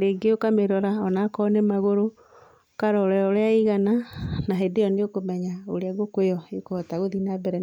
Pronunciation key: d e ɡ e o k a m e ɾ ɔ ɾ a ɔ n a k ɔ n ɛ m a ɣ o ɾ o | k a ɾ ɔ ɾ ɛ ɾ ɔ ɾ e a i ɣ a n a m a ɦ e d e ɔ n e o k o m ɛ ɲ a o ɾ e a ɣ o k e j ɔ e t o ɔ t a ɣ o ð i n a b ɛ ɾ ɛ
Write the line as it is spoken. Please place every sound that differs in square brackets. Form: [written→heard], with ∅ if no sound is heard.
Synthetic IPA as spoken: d e ɡ e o k a m e ɾ ɔ ɾ a ɔ n a k ɔ n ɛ m a ɣ o ɾ o | k a ɾ ɔ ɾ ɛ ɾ ɔ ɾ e a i ɣ a n a [m→n] a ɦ e d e ɔ n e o k o m ɛ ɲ a o ɾ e a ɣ o k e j ɔ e [t→k] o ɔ t a ɣ o ð i n a b ɛ ɾ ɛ